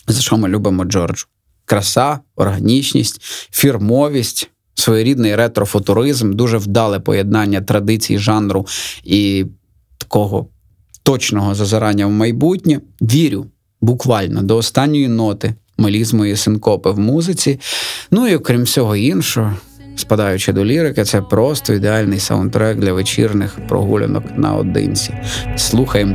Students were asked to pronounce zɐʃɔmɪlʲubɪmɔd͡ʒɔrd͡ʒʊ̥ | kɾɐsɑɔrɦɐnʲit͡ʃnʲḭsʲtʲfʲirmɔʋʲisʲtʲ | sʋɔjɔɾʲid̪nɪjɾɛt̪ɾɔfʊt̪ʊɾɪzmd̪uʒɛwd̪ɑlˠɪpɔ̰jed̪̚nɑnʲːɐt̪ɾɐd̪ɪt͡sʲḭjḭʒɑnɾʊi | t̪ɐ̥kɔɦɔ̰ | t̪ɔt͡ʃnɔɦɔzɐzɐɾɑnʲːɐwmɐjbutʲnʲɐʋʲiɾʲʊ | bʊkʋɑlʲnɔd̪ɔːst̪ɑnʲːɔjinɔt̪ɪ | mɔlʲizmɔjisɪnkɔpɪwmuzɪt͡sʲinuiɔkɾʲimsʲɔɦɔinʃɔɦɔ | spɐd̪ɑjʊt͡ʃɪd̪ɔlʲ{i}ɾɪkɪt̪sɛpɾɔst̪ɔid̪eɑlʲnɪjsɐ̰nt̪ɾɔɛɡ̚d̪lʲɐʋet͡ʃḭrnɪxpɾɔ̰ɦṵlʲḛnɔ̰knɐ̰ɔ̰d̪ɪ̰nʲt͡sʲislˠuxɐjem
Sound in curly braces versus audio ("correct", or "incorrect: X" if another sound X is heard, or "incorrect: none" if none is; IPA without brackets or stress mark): correct